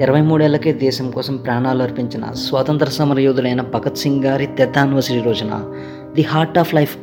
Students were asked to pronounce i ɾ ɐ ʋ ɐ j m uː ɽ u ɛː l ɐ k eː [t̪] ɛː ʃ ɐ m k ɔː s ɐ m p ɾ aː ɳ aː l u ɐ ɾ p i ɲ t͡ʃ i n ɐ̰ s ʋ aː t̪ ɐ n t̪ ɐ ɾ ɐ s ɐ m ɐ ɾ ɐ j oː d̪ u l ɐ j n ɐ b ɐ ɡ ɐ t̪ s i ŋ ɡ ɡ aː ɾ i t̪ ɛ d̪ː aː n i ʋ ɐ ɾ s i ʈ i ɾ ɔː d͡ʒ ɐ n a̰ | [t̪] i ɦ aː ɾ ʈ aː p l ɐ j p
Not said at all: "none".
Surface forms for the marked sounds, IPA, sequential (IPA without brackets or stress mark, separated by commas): d̪, d̪